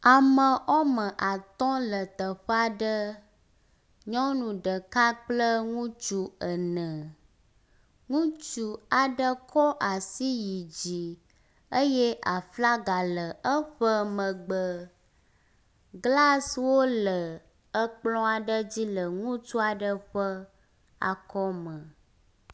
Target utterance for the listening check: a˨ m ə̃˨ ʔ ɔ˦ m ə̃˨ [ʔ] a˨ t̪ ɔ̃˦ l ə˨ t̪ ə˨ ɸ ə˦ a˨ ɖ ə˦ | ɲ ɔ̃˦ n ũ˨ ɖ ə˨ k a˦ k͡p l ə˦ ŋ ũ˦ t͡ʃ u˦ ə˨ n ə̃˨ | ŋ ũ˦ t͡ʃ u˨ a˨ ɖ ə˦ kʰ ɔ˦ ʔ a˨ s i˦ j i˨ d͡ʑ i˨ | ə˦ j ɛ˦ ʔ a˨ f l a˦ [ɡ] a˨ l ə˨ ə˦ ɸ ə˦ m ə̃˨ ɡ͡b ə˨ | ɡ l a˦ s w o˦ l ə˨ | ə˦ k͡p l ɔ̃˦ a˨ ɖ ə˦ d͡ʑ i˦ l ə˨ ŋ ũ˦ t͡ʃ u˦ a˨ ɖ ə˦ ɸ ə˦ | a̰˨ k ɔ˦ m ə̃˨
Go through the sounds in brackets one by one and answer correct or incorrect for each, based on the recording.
correct, correct

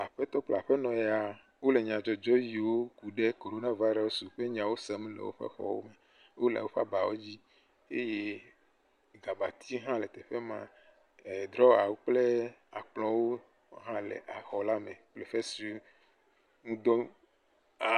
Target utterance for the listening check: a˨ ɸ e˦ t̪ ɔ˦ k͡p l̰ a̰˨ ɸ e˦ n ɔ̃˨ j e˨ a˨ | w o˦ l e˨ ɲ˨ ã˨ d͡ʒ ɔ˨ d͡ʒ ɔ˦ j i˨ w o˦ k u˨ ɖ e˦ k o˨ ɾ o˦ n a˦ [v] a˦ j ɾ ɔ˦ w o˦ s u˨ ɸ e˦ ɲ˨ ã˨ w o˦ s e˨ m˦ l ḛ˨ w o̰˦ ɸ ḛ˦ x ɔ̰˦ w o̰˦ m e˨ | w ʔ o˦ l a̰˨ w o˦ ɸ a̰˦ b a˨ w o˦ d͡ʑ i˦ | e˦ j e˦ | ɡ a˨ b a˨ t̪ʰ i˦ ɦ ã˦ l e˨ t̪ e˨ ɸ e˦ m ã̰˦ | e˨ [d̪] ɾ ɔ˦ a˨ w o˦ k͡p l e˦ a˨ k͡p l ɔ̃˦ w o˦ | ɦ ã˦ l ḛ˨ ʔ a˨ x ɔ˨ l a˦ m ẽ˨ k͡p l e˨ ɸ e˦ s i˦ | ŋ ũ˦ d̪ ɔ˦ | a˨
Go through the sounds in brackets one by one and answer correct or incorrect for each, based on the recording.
correct, correct

